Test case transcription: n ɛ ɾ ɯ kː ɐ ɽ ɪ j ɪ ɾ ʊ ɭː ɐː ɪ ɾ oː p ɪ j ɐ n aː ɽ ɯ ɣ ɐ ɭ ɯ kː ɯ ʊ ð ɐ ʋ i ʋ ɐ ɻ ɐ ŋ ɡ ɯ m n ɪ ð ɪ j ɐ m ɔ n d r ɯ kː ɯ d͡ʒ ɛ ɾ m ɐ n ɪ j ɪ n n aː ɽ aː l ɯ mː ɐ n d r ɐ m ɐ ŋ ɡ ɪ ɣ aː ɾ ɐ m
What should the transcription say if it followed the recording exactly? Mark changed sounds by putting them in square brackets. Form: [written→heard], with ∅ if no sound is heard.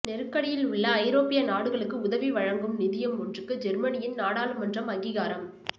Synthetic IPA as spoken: n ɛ ɾ ɯ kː ɐ ɽ ɪ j ɪ [ɾ→l] ʊ ɭː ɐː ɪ ɾ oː p ɪ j ɐ n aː ɽ ɯ ɣ ɐ ɭ ɯ kː ɯ ʊ ð ɐ ʋ i ʋ ɐ ɻ ɐ ŋ ɡ ɯ m n ɪ ð ɪ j ɐ m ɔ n d r ɯ kː ɯ d͡ʒ ɛ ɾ m ɐ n ɪ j ɪ n n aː ɽ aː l ɯ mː ɐ n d r ɐ m ɐ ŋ ɡ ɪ ɣ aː ɾ ɐ m